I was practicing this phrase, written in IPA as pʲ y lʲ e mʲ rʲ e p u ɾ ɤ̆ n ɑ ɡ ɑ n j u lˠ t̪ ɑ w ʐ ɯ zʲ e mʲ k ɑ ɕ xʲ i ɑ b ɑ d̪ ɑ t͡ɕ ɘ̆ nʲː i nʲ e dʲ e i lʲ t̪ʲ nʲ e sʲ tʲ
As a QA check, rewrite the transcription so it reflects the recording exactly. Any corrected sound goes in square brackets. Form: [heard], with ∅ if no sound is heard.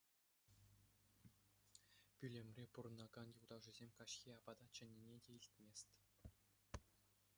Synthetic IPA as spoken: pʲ y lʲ e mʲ rʲ e p u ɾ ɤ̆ n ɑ ɡ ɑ n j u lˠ [d̪] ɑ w ʐ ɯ zʲ e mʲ k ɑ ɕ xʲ i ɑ b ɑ d̪ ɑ t͡ɕ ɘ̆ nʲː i nʲ e dʲ e i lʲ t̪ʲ [mʲ] e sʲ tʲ